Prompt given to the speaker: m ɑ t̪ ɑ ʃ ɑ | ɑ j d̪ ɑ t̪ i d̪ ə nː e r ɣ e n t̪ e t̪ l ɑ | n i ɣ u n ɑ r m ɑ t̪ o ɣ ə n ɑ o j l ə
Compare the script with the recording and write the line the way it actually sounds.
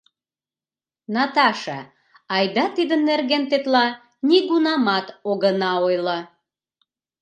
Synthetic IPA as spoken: n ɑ t̪ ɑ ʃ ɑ | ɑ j d̪ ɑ t̪ i d̪ ə nː e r ɣ e n t̪ e t̪ l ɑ | n i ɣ u n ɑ m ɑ t̪ o ɣ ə n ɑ o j l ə

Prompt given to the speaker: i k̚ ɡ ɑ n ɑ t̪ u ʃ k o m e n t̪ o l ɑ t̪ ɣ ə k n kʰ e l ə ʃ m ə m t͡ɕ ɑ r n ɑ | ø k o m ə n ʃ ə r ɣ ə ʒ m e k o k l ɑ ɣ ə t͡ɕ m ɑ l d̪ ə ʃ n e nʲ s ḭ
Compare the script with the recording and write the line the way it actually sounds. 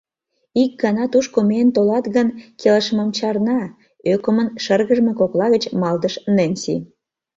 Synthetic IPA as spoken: i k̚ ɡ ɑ n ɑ t̪ u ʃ k o m e n t̪ o l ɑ t̪ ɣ ə n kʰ e l ə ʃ m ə m t͡ɕ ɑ r n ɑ | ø k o m ə n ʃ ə r ɣ ə ʒ m e k o k l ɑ ɣ ə t͡ɕ m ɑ l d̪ ə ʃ n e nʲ s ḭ

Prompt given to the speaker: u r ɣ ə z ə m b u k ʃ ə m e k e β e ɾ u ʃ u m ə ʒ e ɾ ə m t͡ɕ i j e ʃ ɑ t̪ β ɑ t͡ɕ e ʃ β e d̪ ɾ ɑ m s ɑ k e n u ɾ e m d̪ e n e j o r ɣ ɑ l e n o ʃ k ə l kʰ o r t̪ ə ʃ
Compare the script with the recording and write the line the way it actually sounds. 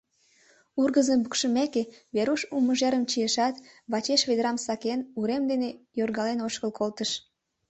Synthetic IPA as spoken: u r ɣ ə z ə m b u k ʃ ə m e k e β e ɾ u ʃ u m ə ʒ e ɾ ə m t͡ɕ i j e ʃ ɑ t̪ β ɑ t͡ɕ e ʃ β e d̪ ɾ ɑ m s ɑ k e n u ɾ e m d̪ e n e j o r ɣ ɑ l e n o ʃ k ə l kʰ o l t̪ ə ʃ

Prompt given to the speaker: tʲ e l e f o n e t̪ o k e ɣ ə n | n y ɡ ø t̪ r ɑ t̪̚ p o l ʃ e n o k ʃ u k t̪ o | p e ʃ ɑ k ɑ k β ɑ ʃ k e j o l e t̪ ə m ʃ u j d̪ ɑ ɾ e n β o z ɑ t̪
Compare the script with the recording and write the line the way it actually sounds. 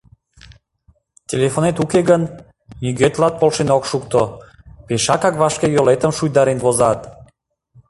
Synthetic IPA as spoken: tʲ e l e f o n e t̪ u k e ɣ ə n | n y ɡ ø t̪ l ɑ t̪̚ p o l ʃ e n o k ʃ u k t̪ o | p e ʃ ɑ k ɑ k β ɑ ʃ k e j o l e t̪ ə m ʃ u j d̪ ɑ ɾ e n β o z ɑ t̪

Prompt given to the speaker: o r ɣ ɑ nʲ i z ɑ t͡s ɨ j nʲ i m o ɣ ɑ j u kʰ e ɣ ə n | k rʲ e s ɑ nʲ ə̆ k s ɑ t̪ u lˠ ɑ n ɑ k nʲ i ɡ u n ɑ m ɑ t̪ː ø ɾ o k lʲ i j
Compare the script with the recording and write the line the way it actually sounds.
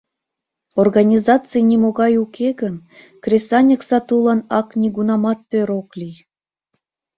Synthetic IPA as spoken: o r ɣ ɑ nʲ i z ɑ t͡s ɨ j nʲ i m o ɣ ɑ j u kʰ e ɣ ə n | k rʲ e s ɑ nʲ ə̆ k s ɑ t̪ u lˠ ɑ n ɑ k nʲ i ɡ u n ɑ m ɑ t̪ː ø ɾ o k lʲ i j

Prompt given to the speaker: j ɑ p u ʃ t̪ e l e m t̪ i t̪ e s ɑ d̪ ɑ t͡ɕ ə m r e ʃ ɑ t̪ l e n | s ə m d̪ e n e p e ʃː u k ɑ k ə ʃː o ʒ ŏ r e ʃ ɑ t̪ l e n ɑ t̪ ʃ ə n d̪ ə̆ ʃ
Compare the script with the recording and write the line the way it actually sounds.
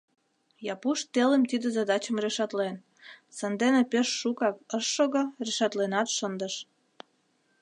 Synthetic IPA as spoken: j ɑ p u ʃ t̪ e l e m t̪ i d̪ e z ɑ d̪ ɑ t͡ɕ ə m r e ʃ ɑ t̪ l e n | s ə n d̪ e n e p e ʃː u k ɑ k ə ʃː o ɣ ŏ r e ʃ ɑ t̪ l e n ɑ t̪ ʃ ə n d̪ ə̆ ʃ

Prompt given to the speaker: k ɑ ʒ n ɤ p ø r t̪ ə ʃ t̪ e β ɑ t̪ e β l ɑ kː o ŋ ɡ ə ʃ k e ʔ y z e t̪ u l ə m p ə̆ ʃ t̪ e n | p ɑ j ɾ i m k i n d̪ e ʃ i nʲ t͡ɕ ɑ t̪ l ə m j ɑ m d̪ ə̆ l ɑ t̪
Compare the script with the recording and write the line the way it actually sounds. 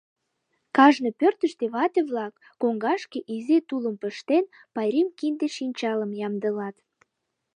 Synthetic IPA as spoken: k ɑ ʒ n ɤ p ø r t̪ ə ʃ t̪ e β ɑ t̪ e β l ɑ kː o ŋ ɡ ɑ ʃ k e ʔ i z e t̪ u l ə m p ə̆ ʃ t̪ e n | p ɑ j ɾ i m k i n d̪ e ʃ i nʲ t͡ɕ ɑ l ə m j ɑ m d̪ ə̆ l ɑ t̪

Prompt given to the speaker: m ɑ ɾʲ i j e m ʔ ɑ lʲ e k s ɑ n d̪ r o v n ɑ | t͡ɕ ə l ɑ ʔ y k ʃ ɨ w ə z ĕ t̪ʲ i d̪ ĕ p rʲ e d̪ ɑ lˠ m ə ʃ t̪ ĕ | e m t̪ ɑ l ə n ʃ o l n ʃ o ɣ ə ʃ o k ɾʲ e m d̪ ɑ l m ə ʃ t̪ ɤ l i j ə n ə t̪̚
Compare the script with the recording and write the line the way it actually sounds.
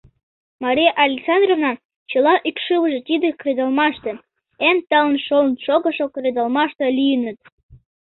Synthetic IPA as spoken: m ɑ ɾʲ i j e ʔ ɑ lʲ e k s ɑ n d̪ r o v n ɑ | t͡ɕ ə l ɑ ʔ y k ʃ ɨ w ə ʒ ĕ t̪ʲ i d̪ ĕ k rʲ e d̪ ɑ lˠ m ɑ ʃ t̪ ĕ | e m t̪ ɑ l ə n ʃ o l n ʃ o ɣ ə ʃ o k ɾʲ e d̪ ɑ l m ɑ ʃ t̪ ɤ l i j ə n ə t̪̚

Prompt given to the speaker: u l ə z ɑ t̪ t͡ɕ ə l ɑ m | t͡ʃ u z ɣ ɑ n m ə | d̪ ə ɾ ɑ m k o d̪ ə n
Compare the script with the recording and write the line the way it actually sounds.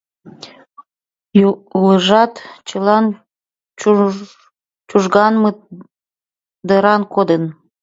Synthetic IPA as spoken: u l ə ʒ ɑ t̪ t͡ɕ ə l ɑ n | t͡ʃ u ʒ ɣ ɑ n m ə | d̪ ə ɾ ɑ n k o d̪ ə n

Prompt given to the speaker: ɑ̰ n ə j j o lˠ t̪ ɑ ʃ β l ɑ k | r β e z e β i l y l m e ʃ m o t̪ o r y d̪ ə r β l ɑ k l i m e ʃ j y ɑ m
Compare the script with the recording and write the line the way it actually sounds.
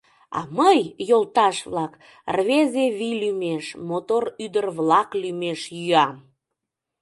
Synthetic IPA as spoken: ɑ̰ m ə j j o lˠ t̪ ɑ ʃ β l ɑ k | r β e z e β i l y m e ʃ m o t̪ o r y d̪ ə r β l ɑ k l y m e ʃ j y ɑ m

